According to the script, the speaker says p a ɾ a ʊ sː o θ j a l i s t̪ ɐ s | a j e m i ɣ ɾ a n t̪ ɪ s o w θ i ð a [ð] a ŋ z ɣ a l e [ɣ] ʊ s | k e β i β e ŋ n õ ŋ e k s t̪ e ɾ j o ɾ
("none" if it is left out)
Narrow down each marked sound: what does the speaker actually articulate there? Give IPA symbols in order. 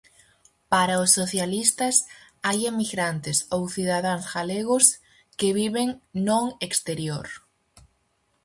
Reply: ð, ɣ

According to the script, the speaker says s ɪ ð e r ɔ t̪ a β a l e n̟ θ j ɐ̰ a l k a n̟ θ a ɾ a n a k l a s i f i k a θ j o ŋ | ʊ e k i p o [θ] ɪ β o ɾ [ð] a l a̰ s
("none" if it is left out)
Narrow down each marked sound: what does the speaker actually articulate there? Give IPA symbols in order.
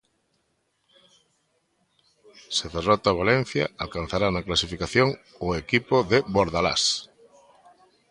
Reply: ð, ð

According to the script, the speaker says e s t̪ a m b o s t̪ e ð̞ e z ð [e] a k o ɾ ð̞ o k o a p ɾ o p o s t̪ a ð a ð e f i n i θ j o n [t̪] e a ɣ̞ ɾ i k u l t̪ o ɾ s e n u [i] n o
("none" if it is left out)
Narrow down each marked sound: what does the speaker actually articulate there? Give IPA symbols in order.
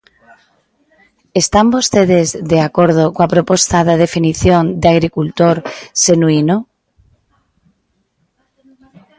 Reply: e, d̪, i

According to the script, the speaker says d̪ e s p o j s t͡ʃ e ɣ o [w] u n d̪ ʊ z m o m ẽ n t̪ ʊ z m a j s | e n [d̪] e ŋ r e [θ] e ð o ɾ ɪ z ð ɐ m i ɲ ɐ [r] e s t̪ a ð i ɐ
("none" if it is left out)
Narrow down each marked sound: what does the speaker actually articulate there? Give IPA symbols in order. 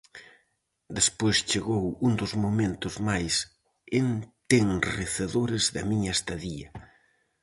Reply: w, t̪, θ, none

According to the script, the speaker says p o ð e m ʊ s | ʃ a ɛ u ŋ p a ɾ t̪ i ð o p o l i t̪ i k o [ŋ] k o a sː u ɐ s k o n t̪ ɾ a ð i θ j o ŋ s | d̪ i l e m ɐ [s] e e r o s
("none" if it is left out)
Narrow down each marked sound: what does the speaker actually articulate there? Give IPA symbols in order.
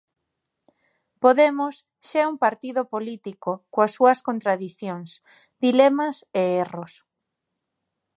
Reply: none, s

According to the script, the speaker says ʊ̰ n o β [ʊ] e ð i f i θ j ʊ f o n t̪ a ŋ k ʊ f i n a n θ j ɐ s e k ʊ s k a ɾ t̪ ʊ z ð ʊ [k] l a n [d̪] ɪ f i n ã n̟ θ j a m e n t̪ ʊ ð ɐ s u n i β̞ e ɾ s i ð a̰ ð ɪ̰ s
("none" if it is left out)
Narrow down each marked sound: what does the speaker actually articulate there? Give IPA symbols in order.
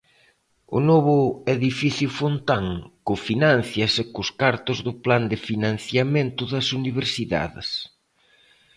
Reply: ʊ, p, d̪

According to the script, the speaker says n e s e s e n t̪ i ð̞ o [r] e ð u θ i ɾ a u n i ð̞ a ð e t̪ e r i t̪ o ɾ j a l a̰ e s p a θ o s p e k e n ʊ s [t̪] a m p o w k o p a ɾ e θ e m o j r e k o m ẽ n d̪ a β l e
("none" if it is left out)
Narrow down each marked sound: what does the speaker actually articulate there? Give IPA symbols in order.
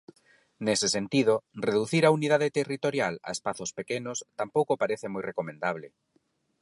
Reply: r, t̪

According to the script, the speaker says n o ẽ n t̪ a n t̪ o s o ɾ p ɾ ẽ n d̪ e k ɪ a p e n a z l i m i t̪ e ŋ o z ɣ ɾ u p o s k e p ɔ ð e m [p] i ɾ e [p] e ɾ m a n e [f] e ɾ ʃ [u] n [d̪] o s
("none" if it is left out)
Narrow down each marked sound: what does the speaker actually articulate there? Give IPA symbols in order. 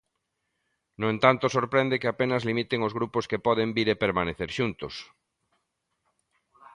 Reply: b, p, θ, u, t̪

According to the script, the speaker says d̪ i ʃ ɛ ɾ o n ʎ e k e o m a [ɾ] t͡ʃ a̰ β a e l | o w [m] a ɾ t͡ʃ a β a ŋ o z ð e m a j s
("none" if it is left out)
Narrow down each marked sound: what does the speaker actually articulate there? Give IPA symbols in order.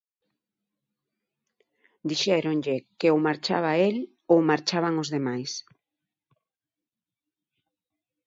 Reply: ɾ, m

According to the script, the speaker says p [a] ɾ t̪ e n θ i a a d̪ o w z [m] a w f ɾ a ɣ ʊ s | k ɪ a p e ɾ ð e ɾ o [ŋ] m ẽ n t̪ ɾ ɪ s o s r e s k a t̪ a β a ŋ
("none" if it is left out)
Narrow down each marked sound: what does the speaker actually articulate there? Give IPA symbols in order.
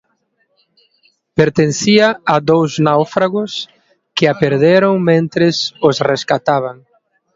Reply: e, n, ŋ

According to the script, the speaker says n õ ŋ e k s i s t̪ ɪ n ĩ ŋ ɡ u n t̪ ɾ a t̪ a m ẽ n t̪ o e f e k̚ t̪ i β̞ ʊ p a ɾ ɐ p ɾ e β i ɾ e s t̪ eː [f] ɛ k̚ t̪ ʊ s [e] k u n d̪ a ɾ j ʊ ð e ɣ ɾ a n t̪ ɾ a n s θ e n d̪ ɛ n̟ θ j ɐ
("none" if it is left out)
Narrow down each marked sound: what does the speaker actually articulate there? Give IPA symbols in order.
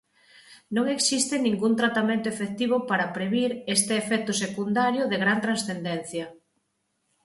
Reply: f, e

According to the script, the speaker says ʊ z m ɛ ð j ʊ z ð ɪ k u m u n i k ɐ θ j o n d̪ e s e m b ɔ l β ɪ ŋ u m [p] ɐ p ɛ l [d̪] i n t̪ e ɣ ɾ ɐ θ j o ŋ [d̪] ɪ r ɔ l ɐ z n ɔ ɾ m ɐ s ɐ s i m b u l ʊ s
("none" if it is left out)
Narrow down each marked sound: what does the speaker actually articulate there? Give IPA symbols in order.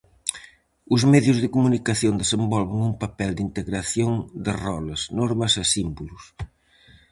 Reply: p, d̪, d̪

